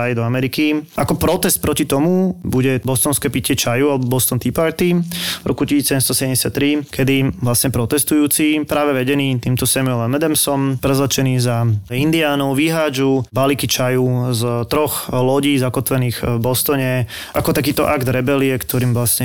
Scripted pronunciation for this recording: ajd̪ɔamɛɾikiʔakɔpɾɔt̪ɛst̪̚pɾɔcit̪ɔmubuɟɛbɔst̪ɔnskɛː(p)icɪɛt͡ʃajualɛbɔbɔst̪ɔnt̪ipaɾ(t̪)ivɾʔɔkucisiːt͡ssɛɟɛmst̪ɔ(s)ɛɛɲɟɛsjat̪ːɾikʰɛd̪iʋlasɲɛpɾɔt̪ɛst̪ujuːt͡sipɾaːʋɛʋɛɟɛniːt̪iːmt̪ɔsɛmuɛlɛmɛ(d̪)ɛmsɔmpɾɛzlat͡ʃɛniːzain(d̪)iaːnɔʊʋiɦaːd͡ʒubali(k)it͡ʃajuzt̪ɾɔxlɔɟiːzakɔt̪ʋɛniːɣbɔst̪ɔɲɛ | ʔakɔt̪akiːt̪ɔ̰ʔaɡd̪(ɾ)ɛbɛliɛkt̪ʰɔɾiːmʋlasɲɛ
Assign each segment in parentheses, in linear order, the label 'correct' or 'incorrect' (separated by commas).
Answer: correct, correct, correct, correct, correct, correct, correct